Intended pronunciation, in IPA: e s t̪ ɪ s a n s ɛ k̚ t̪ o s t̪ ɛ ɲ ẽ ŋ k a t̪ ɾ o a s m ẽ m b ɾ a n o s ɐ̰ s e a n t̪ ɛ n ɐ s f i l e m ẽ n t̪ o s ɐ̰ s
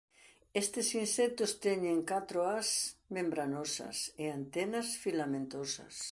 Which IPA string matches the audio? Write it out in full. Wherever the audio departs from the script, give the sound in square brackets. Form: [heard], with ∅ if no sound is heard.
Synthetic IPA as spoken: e s t̪ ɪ s [i] n s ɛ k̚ t̪ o s t̪ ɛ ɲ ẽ ŋ k a t̪ ɾ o a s m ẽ m b ɾ a n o s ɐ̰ s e a n t̪ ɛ n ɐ s f i l [a] m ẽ n t̪ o s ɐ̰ s